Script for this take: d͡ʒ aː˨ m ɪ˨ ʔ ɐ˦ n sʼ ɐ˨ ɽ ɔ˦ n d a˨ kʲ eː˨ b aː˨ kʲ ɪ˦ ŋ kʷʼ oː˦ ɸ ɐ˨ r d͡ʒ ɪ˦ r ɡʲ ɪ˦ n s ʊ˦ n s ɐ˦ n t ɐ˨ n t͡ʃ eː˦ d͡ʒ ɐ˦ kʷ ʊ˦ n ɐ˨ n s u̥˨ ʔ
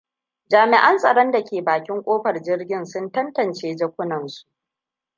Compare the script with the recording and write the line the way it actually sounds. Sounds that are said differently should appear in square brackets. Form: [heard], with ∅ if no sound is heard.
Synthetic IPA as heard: d͡ʒ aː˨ m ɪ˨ ʔ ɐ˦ n sʼ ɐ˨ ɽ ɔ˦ n d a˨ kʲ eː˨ b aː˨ kʲ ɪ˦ ŋ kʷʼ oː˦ ɸ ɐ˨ r d͡ʒ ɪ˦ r ɡʲ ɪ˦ n s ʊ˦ n [t] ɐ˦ n t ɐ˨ n t͡ʃ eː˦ d͡ʒ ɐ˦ kʷ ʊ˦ n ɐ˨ n s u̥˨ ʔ